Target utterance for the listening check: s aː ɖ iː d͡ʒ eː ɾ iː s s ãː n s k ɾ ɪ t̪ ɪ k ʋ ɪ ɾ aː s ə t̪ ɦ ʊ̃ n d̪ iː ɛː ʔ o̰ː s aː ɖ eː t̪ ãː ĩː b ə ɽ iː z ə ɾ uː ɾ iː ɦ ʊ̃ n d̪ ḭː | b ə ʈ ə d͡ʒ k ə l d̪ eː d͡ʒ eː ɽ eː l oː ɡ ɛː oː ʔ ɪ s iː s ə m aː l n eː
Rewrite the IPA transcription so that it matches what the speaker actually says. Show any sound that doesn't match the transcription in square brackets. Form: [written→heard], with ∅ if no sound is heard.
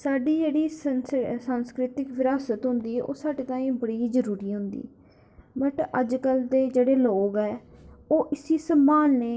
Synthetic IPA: s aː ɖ iː d͡ʒ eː [ɾ→ɽ] iː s s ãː n s k ɾ ɪ t̪ ɪ k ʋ ɪ ɾ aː s ə t̪ ɦ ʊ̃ n d̪ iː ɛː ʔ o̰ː s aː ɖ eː t̪ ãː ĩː b ə ɽ iː z ə ɾ uː ɾ iː ɦ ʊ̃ n d̪ ḭː | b ə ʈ ə d͡ʒ k ə l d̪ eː d͡ʒ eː ɽ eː l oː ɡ ɛː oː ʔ ɪ s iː s ə m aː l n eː